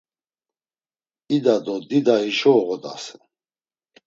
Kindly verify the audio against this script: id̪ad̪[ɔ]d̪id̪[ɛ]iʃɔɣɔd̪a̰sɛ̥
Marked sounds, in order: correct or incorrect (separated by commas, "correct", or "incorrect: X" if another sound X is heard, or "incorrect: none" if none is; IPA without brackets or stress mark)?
correct, incorrect: a